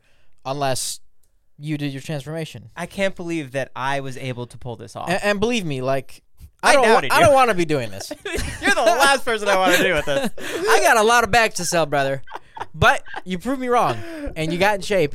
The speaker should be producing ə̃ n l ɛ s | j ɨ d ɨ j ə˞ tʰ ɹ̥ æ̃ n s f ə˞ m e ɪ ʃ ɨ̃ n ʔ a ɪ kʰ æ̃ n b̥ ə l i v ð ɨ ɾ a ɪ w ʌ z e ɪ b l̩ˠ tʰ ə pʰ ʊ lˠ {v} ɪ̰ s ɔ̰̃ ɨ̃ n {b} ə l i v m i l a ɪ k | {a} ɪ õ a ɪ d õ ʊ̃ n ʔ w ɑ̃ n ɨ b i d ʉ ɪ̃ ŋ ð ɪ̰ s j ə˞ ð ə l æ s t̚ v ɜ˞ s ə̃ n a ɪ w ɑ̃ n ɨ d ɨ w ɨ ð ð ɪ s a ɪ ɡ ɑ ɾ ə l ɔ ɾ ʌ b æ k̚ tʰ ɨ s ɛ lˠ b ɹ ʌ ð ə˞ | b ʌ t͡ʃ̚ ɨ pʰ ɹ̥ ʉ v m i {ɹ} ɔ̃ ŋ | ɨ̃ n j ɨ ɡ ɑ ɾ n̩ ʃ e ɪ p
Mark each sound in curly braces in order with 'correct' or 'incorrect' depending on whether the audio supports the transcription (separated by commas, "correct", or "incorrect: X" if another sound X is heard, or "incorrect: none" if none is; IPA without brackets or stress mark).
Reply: incorrect: ð, correct, correct, correct